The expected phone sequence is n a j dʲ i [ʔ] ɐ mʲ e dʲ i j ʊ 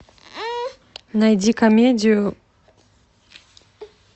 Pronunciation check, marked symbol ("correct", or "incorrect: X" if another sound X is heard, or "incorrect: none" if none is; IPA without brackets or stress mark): incorrect: k